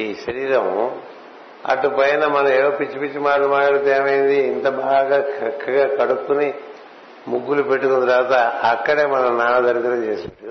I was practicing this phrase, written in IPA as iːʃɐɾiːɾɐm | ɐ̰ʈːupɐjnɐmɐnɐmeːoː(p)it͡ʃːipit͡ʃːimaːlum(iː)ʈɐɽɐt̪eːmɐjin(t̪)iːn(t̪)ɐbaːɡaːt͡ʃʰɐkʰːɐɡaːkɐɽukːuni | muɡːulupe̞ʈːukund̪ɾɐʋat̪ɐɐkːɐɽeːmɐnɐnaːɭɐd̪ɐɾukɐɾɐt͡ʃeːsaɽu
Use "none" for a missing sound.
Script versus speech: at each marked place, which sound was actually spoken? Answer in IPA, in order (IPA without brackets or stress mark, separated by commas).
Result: p, aː, d̪, t̪